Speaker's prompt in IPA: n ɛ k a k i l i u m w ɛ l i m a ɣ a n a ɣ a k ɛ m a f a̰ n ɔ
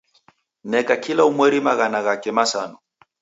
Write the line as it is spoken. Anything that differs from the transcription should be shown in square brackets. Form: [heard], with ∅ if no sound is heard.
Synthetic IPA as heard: n ɛ k a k i l [a] u m w ɛ [ɾ] i m a ɣ a n a ɣ a k ɛ m a [s] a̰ n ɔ